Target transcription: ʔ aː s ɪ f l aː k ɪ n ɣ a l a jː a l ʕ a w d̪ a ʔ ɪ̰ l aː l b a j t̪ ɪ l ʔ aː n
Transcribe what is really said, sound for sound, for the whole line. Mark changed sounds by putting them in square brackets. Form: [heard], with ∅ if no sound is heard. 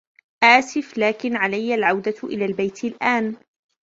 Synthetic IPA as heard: ʔ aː s ɪ f l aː k ɪ n [ʕ] a l a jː a l ʕ a w d̪ a ʔ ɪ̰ l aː l b a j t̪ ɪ l ʔ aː n